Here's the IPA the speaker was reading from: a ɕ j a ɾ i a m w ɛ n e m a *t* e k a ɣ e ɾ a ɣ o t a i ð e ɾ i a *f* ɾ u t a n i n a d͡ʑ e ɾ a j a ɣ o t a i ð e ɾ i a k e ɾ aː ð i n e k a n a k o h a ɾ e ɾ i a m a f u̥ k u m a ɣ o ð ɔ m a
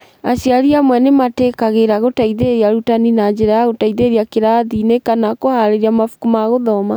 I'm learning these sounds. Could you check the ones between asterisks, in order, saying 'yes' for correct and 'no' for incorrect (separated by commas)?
yes, no